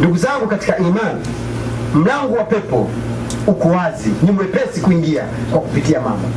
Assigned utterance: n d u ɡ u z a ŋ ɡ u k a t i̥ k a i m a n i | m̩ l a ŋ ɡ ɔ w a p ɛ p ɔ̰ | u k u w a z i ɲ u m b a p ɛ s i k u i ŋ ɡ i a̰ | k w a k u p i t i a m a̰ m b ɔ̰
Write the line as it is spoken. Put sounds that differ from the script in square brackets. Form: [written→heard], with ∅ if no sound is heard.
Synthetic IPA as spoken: n d u ɡ u z a ŋ ɡ u k a t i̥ k a i m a n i | m̩ l a ŋ ɡ ɔ w a p ɛ p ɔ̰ | u k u w a z i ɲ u m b [a→ɛ] p ɛ s i k u i ŋ ɡ i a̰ | k w a k u p i t i a m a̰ m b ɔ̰